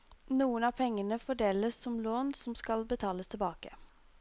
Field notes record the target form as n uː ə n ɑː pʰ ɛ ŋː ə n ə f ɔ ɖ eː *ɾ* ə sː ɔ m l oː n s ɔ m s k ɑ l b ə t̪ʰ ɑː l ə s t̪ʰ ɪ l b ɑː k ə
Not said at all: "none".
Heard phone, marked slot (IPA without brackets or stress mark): l